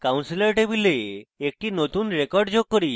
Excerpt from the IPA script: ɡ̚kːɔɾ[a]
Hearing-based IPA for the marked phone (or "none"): i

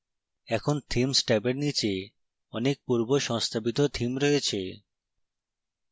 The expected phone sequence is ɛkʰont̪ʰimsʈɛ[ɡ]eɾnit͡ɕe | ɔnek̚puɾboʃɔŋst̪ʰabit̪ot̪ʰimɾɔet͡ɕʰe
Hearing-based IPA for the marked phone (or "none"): b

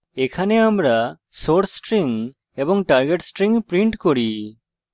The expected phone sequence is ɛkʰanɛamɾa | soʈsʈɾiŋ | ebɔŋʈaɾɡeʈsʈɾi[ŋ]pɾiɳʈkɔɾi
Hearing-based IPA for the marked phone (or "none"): ŋ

